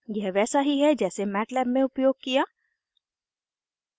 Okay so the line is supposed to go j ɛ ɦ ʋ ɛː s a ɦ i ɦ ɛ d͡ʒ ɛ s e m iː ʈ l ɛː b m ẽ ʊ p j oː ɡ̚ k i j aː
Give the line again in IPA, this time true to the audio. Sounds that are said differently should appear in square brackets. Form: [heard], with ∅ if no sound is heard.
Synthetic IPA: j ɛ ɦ ʋ ɛː s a ɦ i ɦ ɛ d͡ʒ [ɛː] s e m [ɛː] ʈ l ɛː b m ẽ ʊ p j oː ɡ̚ k i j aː